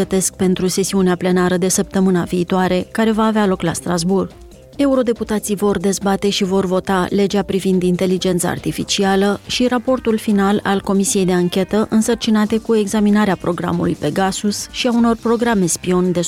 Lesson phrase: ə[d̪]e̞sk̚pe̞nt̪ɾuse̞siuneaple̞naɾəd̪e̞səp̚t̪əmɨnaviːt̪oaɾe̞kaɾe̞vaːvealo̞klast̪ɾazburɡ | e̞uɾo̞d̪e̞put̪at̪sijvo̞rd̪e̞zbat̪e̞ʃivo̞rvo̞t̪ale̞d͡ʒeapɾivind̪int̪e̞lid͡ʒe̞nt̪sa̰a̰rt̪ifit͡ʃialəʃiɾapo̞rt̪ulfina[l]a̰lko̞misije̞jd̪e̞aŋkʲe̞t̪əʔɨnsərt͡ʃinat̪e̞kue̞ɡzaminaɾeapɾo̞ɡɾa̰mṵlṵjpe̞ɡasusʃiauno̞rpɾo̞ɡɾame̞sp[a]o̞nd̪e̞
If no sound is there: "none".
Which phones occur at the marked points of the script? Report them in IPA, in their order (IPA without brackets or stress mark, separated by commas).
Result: t̪, l, i